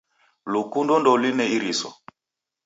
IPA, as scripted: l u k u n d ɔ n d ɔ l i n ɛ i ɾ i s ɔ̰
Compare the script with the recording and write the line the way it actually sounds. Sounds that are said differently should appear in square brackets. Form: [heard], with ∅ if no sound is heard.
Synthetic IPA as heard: l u k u n d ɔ n d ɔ l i n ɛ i ɾ i s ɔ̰